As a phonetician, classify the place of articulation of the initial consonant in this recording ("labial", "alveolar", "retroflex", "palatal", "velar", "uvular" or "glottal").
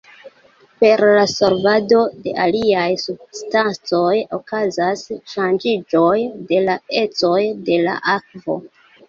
labial